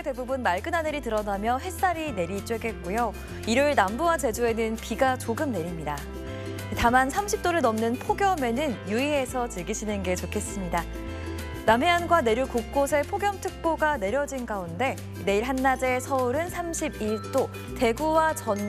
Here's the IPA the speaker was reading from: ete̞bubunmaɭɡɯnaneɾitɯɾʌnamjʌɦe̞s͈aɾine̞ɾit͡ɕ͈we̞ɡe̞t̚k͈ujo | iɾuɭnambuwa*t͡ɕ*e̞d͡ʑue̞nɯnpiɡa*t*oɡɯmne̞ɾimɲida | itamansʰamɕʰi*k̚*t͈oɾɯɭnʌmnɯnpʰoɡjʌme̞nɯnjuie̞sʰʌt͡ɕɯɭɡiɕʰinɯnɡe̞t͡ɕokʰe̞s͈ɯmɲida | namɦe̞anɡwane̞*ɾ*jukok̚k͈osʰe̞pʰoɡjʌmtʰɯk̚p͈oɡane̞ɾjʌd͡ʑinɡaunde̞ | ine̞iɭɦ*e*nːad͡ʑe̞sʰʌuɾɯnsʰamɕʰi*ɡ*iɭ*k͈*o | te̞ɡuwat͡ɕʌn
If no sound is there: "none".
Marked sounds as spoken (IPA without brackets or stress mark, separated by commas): t͡ɕ, t͡ɕ, p̚, ɾ, a, b, t͈